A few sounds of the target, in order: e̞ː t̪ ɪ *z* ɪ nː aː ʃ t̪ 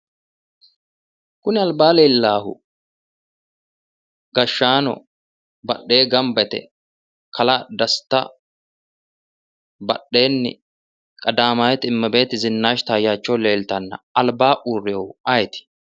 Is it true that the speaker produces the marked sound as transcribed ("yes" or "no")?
yes